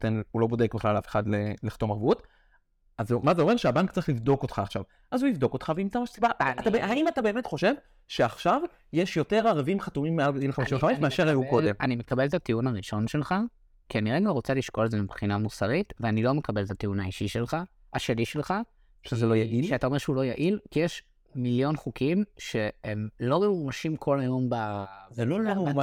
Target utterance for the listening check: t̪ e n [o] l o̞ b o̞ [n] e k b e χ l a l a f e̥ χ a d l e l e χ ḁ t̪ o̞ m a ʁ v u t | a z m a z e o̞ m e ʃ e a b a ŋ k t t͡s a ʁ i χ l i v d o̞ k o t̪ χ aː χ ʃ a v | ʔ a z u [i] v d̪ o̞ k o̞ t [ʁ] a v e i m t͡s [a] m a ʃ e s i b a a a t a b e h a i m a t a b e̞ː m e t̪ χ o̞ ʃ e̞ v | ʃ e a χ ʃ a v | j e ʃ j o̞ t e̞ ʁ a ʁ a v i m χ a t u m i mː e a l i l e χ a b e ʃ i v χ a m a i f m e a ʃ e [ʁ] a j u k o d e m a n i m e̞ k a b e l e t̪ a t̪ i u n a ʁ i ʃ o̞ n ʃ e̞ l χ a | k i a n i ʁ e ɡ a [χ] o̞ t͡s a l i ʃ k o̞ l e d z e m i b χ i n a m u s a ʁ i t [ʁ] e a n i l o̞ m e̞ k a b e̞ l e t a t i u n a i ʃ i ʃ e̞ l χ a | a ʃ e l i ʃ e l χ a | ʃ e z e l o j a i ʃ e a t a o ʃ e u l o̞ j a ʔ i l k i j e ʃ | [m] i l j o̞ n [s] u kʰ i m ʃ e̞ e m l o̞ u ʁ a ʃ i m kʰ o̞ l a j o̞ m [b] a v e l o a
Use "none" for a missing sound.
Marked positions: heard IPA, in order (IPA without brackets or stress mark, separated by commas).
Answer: u, d, i, χ, a, ʁ, ʁ, v, m, χ, b